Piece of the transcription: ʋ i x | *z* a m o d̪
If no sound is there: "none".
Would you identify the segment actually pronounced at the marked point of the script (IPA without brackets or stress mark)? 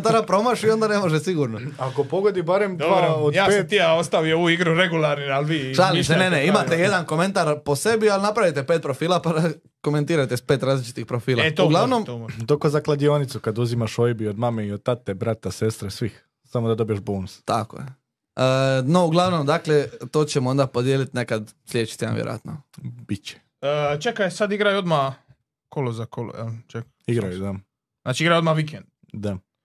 s